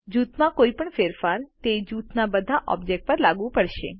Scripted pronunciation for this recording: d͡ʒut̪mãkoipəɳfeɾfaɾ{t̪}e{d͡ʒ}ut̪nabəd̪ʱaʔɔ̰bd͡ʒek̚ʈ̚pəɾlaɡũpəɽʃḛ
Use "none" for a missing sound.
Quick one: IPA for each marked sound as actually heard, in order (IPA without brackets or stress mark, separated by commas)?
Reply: t̪, d͡ʒ